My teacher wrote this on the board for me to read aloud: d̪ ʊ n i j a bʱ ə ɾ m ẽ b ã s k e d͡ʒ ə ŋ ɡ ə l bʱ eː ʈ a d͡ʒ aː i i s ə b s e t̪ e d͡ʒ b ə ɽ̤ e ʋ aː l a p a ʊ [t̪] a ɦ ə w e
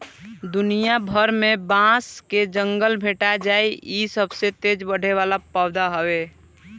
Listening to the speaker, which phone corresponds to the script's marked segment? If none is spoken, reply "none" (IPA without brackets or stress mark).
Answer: d̪